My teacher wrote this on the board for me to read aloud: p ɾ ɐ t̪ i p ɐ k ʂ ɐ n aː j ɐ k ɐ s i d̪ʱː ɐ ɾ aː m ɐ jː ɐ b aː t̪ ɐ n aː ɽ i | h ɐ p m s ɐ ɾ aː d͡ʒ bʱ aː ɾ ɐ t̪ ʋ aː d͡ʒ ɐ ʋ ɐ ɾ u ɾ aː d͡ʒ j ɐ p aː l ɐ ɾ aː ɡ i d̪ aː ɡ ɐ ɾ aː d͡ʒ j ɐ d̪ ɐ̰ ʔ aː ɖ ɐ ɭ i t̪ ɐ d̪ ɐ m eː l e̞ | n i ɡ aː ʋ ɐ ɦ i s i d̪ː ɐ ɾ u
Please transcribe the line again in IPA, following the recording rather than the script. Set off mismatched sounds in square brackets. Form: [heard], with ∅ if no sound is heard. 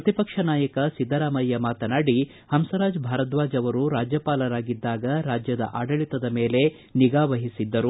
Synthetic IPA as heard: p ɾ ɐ t̪ i p ɐ k ʂ ɐ n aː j ɐ k ɐ s i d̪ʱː ɐ ɾ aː m ɐ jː ɐ [m] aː t̪ ɐ n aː ɽ i | h ɐ [∅] m s ɐ ɾ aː d͡ʒ bʱ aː ɾ ɐ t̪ ʋ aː d͡ʒ ɐ ʋ ɐ ɾ u ɾ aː d͡ʒ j ɐ p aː l ɐ ɾ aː ɡ i [d̪ː] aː ɡ ɐ ɾ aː d͡ʒ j ɐ d̪ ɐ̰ ʔ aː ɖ ɐ ɭ i t̪ ɐ d̪ ɐ m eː l e̞ | n i ɡ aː ʋ ɐ ɦ i s i d̪ː ɐ ɾ u